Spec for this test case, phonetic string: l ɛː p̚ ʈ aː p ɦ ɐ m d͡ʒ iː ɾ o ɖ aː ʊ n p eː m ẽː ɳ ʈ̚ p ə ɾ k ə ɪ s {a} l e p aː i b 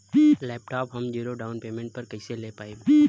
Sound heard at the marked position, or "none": e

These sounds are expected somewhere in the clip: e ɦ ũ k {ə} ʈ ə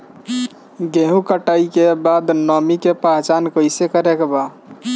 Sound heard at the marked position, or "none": ə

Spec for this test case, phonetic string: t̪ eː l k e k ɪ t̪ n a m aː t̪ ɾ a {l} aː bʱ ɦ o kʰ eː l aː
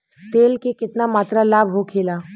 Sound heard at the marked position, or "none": l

